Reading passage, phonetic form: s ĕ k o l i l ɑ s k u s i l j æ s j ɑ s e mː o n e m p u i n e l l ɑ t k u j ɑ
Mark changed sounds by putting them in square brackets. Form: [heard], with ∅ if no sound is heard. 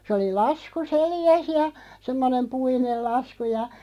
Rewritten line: s ĕ [∅] o l i l ɑ s k u s [e] l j æ s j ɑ s e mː o n e m p u i n e l l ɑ [s] k u j ɑ